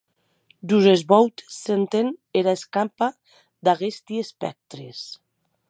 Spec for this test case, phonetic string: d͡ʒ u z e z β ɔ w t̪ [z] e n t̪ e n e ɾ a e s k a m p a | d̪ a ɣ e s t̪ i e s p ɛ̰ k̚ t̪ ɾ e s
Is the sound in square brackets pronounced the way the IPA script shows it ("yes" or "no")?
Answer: no